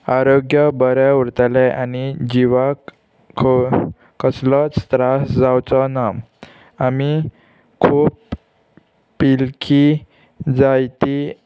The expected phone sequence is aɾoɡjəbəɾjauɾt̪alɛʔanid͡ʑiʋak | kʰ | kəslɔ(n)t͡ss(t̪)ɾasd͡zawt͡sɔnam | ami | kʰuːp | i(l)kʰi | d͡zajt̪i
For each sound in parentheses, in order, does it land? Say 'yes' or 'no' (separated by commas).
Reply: no, yes, yes